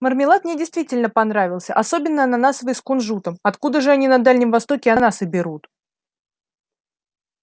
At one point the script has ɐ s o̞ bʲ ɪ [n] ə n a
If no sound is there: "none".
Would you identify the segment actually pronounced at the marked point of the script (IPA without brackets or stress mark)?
nː